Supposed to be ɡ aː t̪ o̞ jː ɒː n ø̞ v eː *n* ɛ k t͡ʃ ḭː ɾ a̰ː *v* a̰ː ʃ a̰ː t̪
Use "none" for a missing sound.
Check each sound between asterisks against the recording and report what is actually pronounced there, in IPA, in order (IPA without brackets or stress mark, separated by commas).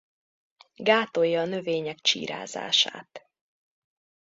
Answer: ɲ, z